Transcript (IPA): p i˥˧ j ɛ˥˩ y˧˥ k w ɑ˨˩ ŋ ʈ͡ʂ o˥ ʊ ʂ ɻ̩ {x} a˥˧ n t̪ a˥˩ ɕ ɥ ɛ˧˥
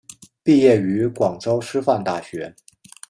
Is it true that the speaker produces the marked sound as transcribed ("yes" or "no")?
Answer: no